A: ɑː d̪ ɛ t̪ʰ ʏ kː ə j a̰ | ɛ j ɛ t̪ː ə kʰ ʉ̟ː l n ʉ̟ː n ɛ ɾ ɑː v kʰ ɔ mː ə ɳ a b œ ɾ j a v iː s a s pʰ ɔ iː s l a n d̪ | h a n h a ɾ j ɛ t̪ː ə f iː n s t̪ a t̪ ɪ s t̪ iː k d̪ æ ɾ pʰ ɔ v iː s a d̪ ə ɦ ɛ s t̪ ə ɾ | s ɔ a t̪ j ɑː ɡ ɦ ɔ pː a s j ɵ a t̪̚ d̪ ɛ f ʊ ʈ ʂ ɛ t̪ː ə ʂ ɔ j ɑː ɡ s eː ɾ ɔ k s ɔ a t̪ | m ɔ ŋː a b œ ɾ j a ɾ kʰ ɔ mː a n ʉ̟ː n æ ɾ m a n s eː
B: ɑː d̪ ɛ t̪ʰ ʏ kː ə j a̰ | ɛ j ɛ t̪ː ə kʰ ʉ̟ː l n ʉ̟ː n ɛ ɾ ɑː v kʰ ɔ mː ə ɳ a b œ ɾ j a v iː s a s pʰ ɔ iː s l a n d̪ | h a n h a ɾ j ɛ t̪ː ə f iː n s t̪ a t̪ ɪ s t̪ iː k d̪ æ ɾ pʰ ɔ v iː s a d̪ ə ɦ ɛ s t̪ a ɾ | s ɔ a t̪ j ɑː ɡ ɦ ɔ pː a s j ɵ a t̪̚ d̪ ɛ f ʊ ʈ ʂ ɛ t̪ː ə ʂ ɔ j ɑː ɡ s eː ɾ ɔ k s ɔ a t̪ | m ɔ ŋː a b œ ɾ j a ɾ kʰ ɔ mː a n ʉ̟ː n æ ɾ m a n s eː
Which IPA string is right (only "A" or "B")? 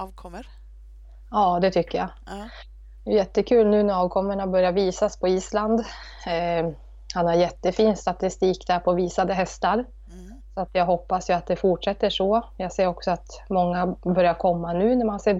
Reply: B